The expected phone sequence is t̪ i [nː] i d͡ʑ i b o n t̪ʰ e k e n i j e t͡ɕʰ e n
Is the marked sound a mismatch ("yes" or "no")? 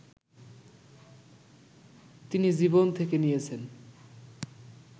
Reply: yes